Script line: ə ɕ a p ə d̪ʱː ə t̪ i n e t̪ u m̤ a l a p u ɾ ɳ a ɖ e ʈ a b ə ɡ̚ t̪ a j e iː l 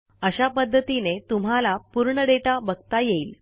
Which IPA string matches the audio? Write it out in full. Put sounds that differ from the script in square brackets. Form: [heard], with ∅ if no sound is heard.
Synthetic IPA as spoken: ə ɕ a p ə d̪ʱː ə t̪ i n e t̪ u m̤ a l a p u ɾ ɳ [ə] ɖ e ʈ a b ə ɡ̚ t̪ a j e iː l

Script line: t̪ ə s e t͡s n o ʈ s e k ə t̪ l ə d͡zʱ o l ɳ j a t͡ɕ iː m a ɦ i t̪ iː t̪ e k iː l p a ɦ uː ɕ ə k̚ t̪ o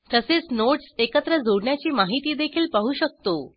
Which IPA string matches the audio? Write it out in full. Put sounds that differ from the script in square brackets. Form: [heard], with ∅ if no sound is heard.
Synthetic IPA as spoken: t̪ ə s e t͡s n o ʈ s e k ə t̪ [ɾ] ə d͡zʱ o [ɽ] ɳ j a t͡ɕ iː m a ɦ i t̪ iː [d̪] e [kʰ] iː l p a ɦ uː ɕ ə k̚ t̪ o

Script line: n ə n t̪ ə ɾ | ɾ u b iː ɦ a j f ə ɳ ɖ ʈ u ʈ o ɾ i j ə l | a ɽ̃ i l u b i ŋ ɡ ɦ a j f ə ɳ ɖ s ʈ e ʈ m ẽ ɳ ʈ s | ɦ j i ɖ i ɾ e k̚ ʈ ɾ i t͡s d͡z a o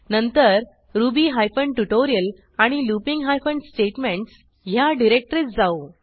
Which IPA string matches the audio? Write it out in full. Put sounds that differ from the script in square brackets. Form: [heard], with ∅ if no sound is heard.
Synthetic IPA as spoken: n ə n t̪ ə ɾ | ɾ u b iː ɦ a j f ə ɳ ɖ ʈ u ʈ o ɾ i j ə l | a ɽ̃ i l u [p] i ŋ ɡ ɦ a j f ə ɳ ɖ s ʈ e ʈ m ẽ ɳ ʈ s | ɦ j [a] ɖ i ɾ e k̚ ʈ ɾ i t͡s d͡z a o

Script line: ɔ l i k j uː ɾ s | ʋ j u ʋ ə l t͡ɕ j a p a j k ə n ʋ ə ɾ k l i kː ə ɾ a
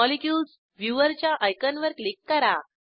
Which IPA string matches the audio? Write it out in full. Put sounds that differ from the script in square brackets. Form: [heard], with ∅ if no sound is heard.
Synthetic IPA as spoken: ɔ l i k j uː [l] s | ʋ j u ʋ ə [ɾ] t͡ɕ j a [ʔ] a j k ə n ʋ ə ɾ k l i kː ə ɾ a

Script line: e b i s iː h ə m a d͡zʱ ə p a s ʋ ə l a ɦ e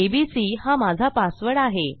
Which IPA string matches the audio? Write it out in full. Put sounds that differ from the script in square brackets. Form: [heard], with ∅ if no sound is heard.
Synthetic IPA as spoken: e b i s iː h [a] m a d͡zʱ [a] p a s ʋ ə [ɽ] a ɦ e

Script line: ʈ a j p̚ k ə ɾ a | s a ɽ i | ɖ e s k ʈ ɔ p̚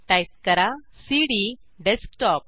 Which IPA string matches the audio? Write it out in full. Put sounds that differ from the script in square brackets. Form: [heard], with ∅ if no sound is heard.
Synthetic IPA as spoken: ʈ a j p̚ k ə ɾ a | s [i] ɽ i | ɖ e s k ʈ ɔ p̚

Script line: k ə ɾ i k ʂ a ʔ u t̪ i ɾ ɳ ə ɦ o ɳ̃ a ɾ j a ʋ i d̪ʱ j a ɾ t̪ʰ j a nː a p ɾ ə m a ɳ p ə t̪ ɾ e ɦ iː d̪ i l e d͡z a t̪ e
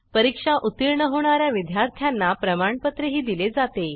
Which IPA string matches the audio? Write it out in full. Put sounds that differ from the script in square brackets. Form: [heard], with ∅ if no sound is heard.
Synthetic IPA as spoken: [p] ə ɾ i k ʂ a ʔ u t̪ i ɾ ɳ ə ɦ o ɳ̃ a ɾ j a ʋ i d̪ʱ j a ɾ t̪ʰ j a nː a p ɾ ə m a ɳ p ə t̪ ɾ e ɦ iː d̪ i l e d͡z a t̪ e

